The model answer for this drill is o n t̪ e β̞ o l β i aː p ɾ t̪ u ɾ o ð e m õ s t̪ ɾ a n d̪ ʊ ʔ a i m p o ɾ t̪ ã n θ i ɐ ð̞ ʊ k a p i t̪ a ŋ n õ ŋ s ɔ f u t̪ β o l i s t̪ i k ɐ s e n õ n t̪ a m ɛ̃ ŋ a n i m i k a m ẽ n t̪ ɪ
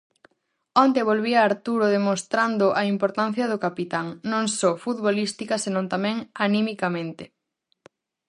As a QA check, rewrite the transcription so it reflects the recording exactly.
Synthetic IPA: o n t̪ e β̞ o l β i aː ɾ t̪ u ɾ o ð e m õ s t̪ ɾ a n d̪ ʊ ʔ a i m p o ɾ t̪ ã n θ j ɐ ð̞ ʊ k a p i t̪ a ŋ n õ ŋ s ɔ f u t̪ β o l i s t̪ i k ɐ s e n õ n t̪ a m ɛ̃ ŋ a n i m i k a m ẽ n t̪ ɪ